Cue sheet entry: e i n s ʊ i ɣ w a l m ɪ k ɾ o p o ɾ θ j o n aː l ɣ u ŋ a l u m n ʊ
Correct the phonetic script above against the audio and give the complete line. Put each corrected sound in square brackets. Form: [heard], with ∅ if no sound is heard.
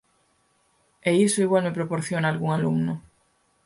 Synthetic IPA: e i [∅] s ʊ i ɣ w a l m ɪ [p] ɾ o p o ɾ θ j o n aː l ɣ u ŋ a l u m n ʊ